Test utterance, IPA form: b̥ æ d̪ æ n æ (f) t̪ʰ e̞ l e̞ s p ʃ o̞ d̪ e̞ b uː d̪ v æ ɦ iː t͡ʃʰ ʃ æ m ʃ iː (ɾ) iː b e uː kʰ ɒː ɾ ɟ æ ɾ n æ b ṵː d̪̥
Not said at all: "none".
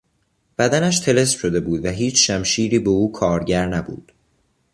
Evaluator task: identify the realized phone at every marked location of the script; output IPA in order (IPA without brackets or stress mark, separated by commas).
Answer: ʃ, ɾ